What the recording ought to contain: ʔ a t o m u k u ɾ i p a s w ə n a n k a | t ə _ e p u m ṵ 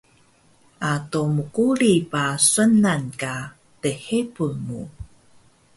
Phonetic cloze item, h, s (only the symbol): h